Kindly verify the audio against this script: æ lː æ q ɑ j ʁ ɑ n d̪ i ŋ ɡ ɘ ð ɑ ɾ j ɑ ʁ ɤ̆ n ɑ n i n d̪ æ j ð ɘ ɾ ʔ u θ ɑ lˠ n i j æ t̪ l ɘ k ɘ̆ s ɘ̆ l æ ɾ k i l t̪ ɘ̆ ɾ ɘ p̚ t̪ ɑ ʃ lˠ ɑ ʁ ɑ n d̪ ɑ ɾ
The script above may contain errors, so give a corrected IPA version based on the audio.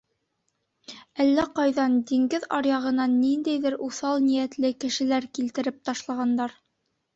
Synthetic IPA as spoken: æ lː æ q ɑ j ð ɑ n d̪ i ŋ ɡ ɘ ð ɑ ɾ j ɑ ʁ ɤ̆ n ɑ n i n d̪ æ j ð ɘ ɾ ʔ u θ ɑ lˠ n i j æ t̪ l ɘ k ɘ̆ ʃ ɘ̆ l æ ɾ k i l t̪ ɘ̆ ɾ ɘ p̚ t̪ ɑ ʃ lˠ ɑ ʁ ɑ n d̪ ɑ ɾ